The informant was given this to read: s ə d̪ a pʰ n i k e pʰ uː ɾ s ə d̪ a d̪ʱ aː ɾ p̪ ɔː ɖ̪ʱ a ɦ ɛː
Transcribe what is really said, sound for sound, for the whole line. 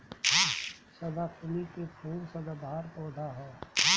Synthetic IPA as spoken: s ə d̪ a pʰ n i k e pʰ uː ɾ s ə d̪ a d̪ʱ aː ɾ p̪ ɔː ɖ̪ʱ a ɦ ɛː

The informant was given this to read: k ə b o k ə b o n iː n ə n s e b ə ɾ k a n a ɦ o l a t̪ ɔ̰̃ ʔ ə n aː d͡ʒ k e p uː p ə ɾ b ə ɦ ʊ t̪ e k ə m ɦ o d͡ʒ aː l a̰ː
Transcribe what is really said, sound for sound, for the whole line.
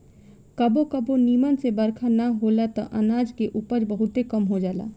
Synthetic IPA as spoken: k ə b o k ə b o n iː m ə n s e b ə ɾ kʰ a n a ɦ o l a t̪ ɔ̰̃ ʔ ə n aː d͡ʒ k e ʔ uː p ə ɾ b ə ɦ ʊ t̪ e k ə m ɦ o d͡ʒ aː l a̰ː

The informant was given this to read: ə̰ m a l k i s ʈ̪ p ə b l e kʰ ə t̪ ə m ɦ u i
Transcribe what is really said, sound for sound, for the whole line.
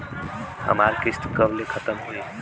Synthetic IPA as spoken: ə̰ m a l k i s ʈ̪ k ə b l e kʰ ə t̪ ə m ɦ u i

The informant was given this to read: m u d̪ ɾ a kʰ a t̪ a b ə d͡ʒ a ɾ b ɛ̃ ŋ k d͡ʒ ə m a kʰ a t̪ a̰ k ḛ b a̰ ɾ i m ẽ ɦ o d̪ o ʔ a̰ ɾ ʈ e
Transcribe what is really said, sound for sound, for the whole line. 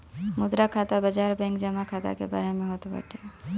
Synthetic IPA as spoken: m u d̪ ɾ a kʰ a t̪ a b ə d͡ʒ a ɾ b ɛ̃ ŋ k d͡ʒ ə m a kʰ a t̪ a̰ k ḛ b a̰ ɾ e m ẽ ɦ o t̪ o p a̰ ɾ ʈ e

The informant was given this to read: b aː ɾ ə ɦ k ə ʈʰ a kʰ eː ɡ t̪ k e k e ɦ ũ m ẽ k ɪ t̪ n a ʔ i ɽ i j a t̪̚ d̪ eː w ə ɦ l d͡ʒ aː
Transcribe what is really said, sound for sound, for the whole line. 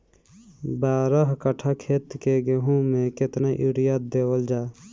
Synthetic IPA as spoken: b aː ɾ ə ɦ k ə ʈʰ a kʰ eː t̪ k e ɡ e ɦ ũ m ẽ k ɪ t̪ n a ʔ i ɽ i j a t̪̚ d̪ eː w ə l d͡ʒ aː

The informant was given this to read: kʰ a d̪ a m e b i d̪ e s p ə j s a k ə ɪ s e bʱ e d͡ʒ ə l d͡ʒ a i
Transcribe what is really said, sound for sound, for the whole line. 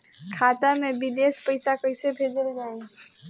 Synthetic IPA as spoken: kʰ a t̪ a m e b i d̪ e s p ə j s a k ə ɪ s e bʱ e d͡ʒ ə l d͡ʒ a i

